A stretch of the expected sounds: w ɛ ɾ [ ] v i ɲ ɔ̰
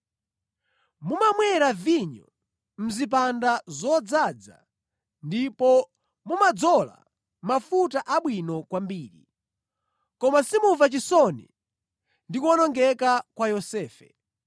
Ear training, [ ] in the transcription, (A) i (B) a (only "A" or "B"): B